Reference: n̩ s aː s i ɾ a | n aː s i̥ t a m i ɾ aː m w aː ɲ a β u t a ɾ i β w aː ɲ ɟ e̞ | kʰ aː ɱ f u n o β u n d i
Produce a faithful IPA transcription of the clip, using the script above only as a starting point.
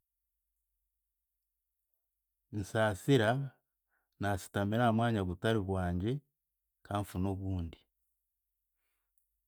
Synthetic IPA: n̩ s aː s i ɾ a | n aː s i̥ t a m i ɾ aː m w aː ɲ a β u t a ɾ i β w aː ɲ ɟ e̞ | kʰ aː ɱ f u n o β uː n d i